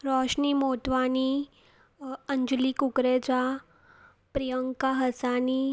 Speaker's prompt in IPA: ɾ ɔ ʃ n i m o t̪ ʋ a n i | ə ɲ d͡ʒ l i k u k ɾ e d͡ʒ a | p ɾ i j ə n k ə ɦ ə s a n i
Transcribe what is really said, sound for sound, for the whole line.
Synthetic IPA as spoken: ɾ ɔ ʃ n i m o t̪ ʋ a n i | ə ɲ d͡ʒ l i k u k ɾ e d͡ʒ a | p ɾ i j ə ŋ k a ɦ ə s a n i